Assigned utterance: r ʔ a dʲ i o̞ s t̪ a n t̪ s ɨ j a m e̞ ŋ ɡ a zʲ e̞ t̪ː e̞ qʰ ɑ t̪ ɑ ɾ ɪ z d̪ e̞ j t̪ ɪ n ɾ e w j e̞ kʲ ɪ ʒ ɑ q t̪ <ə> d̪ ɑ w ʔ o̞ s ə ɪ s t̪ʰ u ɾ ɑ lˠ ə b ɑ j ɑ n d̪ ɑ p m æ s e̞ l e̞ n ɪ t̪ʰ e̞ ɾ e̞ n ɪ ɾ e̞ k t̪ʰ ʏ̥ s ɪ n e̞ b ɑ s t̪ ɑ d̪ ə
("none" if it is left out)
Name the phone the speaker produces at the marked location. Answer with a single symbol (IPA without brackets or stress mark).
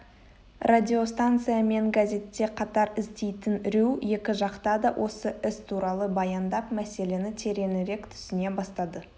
ɑ